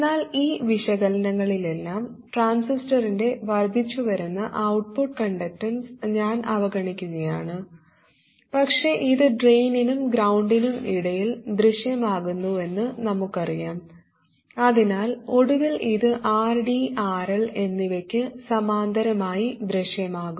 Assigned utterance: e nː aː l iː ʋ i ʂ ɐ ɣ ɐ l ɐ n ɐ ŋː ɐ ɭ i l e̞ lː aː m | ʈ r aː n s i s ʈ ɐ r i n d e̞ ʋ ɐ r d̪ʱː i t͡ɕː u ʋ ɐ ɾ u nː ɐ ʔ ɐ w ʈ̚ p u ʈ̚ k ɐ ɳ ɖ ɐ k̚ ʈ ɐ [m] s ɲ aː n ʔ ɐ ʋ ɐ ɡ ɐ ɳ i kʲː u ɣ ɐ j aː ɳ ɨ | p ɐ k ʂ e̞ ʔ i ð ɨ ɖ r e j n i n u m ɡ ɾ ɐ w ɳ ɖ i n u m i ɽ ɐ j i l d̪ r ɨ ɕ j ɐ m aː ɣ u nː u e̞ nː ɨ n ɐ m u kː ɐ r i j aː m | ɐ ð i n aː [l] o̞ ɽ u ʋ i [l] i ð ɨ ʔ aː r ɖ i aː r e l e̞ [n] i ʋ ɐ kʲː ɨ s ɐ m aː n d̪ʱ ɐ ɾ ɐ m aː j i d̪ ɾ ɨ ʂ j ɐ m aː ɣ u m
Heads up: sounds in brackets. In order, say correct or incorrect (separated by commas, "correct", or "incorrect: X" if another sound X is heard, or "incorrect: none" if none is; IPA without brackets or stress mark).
incorrect: n, correct, correct, incorrect: nː